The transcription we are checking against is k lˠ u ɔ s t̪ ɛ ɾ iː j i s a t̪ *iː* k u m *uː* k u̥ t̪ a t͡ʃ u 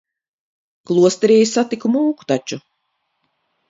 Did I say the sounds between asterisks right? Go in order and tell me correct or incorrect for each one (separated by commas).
incorrect, correct